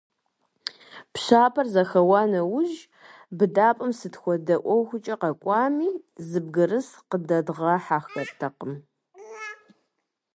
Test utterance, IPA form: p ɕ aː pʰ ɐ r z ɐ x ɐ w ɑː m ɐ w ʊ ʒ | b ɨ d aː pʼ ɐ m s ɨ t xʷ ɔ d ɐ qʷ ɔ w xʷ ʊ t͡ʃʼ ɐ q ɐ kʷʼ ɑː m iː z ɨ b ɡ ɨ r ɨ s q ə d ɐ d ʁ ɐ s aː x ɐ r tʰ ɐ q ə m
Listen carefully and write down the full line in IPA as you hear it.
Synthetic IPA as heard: p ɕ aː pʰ ɐ r z ɐ x ɐ w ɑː n ɐ w ʊ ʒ | b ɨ d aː pʼ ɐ m s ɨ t xʷ ɔ d ɐ ʔʷ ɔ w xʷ ʊ t͡ʃʼ ɐ q ɐ kʷʼ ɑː m iː z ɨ b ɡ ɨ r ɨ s q ə d ɐ d ʁ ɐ ħ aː x ɐ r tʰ ɐ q ə m